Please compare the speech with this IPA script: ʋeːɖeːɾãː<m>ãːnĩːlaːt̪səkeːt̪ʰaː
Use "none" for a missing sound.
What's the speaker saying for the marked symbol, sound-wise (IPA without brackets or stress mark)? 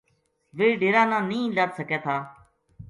n